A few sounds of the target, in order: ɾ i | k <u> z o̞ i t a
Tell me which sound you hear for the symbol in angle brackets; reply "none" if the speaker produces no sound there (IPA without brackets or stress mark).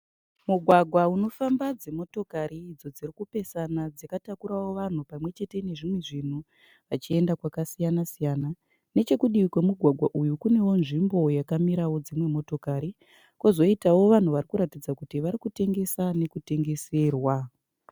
o